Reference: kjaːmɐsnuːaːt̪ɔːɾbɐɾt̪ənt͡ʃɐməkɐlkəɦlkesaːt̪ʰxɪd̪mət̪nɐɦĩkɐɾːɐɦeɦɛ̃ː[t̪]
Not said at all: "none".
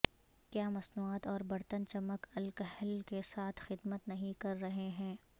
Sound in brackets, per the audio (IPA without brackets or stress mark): none